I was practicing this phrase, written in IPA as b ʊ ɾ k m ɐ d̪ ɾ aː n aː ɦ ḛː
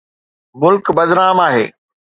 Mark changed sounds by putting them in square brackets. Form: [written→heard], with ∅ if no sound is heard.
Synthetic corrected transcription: [b→m] ʊ [ɾ→l] k [m→b] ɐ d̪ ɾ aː [n→m] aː ɦ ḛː